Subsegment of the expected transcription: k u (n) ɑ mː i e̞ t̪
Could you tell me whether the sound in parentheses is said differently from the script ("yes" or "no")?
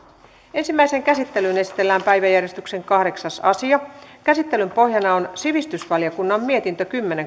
yes